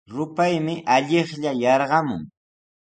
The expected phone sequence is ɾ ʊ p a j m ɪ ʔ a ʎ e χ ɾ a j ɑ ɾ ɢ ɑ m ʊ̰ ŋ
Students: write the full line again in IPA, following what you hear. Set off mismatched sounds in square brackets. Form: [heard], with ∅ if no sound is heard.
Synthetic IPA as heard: ɾ ʊ p a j m ɪ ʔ a ʎ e χ [ʎ] a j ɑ ɾ ɢ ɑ m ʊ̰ ŋ